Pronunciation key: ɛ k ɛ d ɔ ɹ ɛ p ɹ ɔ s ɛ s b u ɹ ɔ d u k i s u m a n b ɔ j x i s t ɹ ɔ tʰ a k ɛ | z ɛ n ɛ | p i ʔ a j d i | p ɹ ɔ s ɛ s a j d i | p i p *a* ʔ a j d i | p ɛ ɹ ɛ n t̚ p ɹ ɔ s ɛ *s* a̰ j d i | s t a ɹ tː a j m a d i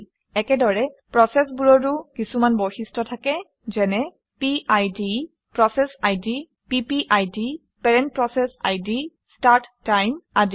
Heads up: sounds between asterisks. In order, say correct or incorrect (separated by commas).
incorrect, correct